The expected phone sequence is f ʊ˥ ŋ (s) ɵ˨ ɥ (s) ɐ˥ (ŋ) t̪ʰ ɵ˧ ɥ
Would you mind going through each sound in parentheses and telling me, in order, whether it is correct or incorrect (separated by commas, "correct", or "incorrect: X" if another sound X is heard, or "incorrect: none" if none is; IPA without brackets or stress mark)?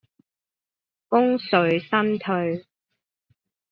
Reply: correct, correct, incorrect: n